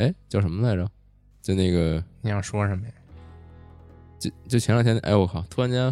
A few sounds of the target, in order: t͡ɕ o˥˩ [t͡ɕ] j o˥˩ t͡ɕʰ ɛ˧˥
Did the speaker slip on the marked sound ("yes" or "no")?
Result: no